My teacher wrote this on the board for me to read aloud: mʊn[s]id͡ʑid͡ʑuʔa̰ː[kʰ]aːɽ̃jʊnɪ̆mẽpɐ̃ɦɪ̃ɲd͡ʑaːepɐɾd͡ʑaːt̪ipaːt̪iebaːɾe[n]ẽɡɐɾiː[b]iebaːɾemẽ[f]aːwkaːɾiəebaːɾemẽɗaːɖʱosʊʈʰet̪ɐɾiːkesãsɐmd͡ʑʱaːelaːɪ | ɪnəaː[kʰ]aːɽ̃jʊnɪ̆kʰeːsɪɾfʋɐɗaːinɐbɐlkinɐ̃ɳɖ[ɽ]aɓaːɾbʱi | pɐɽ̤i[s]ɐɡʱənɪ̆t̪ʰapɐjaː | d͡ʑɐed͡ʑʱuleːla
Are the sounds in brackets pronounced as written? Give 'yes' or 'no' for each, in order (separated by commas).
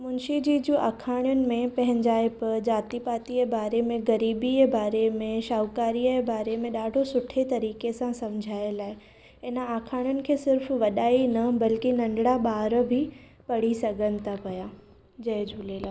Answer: no, yes, no, yes, no, yes, yes, yes